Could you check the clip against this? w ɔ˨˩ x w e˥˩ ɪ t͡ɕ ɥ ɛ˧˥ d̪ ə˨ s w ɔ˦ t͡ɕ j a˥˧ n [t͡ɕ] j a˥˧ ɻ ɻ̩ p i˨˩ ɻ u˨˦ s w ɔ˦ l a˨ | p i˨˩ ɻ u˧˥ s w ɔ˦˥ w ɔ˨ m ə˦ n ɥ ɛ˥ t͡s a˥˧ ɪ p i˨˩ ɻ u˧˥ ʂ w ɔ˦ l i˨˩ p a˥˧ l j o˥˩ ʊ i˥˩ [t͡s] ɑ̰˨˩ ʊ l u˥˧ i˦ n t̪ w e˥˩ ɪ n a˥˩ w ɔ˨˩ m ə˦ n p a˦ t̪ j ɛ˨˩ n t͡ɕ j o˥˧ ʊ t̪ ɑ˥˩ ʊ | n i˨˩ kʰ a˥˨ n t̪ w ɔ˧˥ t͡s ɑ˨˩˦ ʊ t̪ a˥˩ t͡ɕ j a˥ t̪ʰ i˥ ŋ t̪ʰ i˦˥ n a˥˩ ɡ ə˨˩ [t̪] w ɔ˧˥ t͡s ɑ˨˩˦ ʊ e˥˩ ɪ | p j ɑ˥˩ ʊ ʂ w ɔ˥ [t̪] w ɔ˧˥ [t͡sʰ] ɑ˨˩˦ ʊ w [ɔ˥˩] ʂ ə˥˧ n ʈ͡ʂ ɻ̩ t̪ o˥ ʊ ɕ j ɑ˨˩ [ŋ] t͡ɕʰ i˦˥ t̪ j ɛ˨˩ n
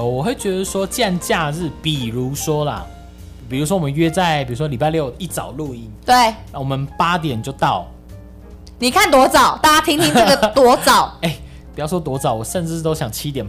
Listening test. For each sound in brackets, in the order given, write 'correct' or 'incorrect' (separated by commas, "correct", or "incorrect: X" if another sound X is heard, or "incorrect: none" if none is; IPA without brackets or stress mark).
correct, correct, correct, correct, incorrect: t͡s, incorrect: ɔ˨˩, correct